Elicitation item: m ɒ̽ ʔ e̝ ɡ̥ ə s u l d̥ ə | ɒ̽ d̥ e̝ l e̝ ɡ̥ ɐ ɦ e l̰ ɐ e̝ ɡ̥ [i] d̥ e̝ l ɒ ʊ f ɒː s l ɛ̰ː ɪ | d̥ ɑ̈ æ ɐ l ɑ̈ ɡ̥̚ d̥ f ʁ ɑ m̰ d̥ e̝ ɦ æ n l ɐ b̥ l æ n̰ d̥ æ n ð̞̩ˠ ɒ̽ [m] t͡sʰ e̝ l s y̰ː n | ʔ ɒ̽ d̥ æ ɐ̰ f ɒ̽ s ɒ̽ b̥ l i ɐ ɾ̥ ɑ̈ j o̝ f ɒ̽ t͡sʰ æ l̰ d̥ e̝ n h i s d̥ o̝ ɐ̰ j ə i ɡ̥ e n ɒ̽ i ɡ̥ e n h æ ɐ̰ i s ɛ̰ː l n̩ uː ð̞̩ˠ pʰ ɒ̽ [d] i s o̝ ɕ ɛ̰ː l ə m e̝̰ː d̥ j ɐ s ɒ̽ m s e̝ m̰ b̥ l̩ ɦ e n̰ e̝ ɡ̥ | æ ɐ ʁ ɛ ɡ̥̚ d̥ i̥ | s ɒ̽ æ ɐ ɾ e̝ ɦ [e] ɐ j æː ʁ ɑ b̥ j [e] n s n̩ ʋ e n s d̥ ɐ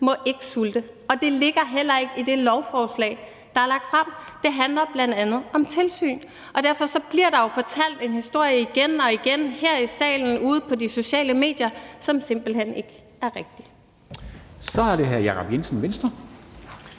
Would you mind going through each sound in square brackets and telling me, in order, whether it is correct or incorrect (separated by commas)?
correct, correct, correct, incorrect, correct